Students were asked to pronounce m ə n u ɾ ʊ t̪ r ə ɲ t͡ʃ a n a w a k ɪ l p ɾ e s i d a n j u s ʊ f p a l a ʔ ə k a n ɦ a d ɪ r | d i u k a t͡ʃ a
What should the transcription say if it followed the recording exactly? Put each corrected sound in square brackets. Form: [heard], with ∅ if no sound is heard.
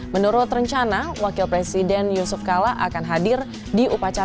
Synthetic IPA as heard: m ə n u ɾ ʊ t̪ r ə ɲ t͡ʃ a n a w a k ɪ l p ɾ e s i d [ɛ] n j u s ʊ f [k] a l a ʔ [a] k a n ɦ a d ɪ r | d i u [p] a t͡ʃ a